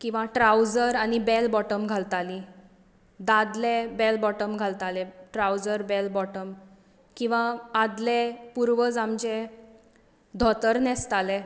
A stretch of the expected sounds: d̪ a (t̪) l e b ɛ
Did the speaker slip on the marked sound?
yes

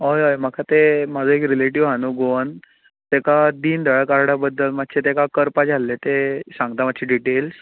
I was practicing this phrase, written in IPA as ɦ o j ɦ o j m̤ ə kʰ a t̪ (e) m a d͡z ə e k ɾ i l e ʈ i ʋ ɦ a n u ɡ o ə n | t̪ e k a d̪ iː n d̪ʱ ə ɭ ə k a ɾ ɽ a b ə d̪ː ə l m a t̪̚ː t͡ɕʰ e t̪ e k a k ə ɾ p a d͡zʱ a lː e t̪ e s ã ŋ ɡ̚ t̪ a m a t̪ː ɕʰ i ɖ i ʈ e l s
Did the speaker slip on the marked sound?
no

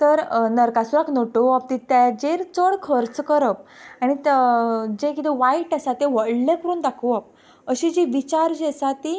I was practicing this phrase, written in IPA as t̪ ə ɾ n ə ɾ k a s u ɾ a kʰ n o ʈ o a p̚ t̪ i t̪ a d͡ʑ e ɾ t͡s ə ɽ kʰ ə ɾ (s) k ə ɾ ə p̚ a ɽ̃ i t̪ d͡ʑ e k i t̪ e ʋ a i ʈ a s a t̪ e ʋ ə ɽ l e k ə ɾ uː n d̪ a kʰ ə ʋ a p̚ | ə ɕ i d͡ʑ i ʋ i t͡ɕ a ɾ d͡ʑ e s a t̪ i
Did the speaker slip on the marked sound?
yes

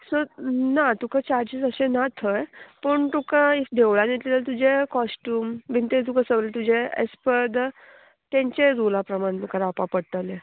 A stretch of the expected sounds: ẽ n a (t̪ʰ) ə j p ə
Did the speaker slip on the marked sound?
no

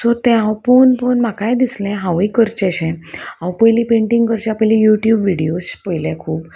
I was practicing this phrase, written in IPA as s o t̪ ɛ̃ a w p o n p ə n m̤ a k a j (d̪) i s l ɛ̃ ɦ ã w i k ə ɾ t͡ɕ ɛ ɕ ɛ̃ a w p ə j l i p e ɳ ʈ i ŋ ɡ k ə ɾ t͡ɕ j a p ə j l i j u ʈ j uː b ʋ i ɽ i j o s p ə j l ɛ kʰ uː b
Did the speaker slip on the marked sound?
no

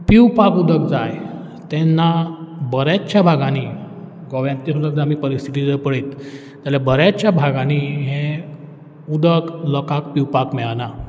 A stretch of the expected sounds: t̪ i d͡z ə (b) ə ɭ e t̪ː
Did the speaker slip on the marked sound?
yes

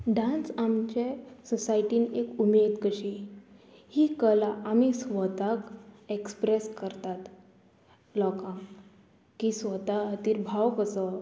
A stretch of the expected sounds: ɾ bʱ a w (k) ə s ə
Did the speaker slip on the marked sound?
no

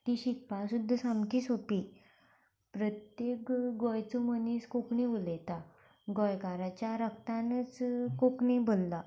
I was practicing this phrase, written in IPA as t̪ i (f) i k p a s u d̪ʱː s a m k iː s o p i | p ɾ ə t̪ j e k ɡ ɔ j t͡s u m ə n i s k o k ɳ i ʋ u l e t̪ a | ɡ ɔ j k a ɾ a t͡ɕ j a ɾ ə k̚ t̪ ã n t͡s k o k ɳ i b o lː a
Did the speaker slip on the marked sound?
yes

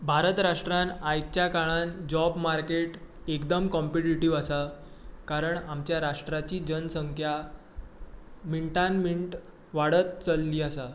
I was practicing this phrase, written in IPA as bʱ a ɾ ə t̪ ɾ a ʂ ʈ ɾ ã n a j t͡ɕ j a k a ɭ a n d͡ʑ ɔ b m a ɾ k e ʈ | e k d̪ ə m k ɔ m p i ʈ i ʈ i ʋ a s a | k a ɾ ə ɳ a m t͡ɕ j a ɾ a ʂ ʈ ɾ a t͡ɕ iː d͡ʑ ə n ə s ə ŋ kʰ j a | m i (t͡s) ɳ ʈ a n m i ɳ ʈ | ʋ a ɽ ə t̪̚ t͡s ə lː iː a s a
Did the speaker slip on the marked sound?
yes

